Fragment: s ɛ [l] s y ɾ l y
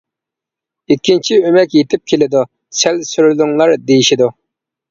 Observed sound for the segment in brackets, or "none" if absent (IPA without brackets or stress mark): l